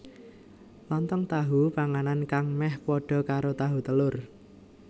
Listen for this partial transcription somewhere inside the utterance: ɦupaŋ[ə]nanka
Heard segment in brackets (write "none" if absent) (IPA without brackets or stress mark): a